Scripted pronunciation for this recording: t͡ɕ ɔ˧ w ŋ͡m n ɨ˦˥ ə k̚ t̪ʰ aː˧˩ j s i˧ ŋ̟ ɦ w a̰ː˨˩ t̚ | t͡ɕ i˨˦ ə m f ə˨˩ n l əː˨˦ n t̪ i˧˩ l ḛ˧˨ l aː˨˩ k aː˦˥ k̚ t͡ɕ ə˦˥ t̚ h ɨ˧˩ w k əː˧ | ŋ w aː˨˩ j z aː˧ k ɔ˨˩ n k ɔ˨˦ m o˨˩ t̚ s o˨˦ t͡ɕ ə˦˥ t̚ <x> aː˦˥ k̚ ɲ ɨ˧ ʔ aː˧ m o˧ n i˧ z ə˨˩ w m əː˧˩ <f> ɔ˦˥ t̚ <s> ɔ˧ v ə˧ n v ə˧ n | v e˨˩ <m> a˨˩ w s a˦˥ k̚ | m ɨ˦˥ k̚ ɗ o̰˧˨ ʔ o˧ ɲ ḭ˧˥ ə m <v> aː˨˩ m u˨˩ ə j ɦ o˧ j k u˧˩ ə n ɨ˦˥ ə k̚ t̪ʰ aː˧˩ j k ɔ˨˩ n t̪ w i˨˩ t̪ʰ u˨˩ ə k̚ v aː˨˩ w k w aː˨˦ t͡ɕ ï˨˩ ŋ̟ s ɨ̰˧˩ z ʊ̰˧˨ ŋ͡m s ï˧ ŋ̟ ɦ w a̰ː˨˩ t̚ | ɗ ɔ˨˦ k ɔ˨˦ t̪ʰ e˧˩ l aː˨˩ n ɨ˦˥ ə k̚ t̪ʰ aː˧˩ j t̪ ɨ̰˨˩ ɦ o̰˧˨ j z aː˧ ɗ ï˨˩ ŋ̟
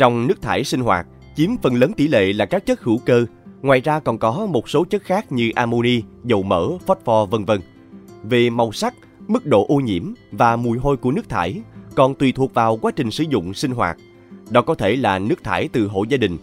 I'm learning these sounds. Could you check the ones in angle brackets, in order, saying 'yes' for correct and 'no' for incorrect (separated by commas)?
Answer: yes, yes, no, yes, yes